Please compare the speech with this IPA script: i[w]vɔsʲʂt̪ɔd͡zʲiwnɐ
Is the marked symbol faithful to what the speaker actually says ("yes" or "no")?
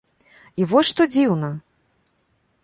no